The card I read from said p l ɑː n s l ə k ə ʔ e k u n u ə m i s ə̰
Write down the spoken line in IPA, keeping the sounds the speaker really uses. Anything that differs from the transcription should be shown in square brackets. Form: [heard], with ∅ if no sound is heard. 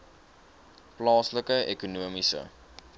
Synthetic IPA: p l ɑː [∅] s l ə k ə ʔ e k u n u ə m i s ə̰